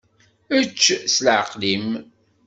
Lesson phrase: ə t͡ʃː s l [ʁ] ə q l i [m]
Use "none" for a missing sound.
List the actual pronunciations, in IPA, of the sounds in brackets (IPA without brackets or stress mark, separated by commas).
ʕ, m